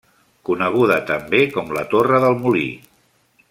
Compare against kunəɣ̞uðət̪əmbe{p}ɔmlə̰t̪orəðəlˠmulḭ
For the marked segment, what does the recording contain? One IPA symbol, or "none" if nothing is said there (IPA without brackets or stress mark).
k